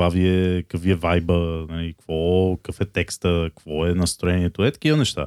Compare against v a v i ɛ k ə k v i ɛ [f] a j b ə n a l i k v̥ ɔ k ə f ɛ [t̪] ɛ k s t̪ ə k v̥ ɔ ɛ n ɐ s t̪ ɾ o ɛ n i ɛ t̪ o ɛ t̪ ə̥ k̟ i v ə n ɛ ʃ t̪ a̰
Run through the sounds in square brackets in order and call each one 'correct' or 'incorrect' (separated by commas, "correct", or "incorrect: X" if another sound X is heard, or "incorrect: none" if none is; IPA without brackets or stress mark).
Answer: incorrect: v, correct